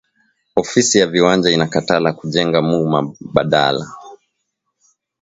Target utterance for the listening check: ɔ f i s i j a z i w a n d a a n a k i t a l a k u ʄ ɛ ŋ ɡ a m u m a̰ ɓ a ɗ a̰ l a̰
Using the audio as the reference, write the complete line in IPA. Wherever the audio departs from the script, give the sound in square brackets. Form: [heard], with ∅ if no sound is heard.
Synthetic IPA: ɔ f i s i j a [v] i w a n [d͡ʒ] a [i] n a k [a] t a l a k u ʄ ɛ ŋ ɡ a m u m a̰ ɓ a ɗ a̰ l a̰